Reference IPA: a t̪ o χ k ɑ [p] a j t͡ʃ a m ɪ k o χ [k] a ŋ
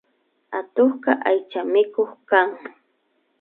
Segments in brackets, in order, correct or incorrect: incorrect: ʔ, correct

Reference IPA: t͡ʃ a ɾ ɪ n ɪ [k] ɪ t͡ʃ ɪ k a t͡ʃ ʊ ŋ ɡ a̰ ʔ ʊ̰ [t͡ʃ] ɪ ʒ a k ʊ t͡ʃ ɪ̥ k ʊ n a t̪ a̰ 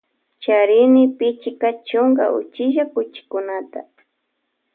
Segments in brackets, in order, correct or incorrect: incorrect: p, correct

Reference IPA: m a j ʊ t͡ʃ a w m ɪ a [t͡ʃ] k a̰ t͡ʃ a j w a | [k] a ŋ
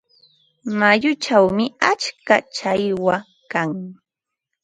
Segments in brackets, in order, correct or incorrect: correct, correct

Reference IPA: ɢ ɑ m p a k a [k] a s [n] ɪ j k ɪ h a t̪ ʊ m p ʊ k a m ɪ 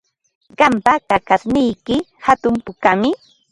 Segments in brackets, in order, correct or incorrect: correct, correct

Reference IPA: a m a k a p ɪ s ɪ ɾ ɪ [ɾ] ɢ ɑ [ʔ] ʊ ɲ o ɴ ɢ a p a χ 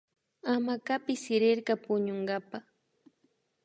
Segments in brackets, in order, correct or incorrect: correct, incorrect: p

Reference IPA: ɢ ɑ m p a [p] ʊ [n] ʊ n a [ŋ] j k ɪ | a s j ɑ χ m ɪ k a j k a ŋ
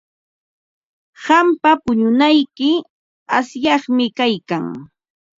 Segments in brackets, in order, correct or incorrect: correct, incorrect: ɲ, incorrect: none

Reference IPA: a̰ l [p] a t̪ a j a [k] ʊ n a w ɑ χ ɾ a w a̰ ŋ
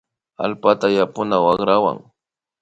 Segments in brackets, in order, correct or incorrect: correct, incorrect: p

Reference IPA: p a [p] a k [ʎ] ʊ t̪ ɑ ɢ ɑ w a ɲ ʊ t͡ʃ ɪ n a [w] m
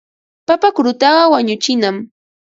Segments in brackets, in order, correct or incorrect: correct, incorrect: ɾ, incorrect: none

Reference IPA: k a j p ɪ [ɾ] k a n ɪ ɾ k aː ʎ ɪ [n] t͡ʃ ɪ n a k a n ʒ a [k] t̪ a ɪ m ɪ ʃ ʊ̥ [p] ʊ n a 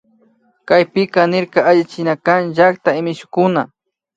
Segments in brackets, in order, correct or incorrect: incorrect: none, incorrect: none, correct, incorrect: k

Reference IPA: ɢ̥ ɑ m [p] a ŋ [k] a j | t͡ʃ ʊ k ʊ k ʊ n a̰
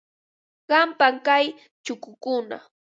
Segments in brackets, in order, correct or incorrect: correct, correct

